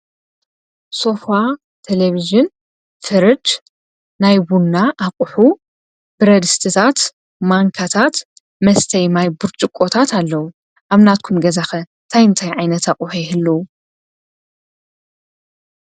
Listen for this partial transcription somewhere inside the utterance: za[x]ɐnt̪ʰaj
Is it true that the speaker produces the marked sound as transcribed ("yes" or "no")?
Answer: yes